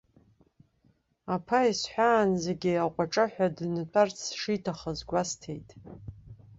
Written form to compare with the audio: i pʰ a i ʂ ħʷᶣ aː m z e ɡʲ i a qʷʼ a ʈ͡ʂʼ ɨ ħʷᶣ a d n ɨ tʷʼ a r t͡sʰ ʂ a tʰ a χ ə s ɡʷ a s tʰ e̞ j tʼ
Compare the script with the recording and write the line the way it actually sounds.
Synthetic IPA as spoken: a pʰ a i s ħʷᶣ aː n z e ɡʲ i a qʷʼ a ʈ͡ʂʼ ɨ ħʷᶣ a d n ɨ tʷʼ a r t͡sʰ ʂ i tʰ a χ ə z ɡʷ a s tʰ e̞ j tʼ